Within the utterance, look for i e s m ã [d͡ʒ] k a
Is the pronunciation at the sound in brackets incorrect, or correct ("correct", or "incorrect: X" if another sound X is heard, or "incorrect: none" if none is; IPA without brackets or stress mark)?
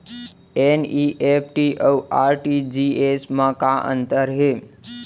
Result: incorrect: none